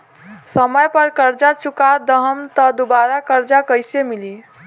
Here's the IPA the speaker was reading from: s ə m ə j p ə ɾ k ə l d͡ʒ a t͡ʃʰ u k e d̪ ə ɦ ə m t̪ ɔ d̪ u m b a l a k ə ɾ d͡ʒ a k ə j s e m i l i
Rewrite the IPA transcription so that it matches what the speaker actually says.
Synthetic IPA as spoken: s ə m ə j p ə ɾ k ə ɾ d͡ʒ a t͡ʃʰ u k a d̪ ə ɦ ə m t̪ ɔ d̪ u b a ɾ a k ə ɾ d͡ʒ a k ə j s e m i l i